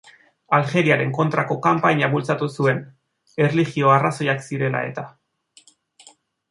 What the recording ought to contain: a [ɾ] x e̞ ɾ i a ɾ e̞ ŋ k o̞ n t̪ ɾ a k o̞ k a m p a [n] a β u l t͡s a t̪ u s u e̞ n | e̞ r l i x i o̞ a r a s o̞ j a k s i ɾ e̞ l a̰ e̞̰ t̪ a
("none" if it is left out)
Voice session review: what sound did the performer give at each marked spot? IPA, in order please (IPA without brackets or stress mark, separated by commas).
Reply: l, ɲ